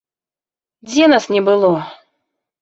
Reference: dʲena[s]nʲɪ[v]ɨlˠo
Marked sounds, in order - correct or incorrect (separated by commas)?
correct, incorrect